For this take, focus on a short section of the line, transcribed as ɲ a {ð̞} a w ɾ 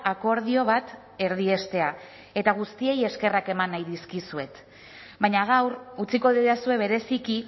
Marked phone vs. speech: incorrect: ɣ̞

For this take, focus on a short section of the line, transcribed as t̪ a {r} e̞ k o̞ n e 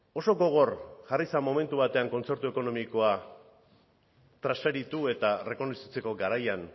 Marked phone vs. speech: correct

